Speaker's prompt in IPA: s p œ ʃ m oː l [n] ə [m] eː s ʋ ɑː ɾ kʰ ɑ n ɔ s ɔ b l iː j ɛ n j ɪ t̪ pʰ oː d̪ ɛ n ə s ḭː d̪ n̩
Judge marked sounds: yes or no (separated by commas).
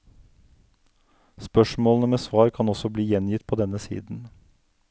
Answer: yes, yes